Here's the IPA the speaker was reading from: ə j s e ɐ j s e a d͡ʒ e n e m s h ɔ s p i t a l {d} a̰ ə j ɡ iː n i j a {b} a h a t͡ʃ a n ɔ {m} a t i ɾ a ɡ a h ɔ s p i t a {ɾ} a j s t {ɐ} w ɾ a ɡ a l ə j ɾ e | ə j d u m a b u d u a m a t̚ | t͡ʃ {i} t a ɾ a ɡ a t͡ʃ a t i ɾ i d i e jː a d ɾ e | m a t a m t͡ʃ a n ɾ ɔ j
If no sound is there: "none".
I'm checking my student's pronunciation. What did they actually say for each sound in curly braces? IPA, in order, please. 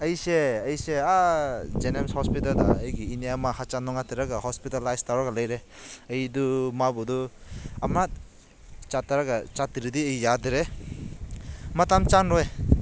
d, m, ŋ, l, a, a

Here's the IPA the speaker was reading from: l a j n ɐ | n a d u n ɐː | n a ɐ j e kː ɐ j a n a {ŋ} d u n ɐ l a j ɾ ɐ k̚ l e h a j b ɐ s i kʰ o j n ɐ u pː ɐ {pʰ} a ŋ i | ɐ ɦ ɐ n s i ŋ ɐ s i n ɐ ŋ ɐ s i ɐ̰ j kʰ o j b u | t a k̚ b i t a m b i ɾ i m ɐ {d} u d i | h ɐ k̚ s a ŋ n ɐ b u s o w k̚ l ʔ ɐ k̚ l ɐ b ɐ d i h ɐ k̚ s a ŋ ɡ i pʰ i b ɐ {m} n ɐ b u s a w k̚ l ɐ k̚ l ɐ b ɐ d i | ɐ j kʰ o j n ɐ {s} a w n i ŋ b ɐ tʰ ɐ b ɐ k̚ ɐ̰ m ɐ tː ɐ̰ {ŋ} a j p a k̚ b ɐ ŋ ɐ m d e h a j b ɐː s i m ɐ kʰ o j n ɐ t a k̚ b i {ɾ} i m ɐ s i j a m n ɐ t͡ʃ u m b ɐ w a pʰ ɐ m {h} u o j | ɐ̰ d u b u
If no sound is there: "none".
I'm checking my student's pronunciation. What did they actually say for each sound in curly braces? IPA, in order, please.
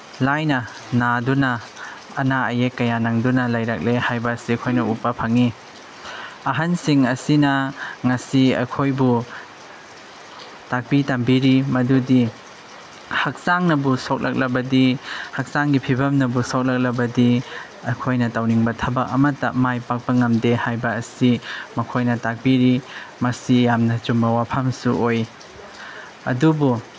ŋ, pʰ, d, m, t, m, ɾ, s

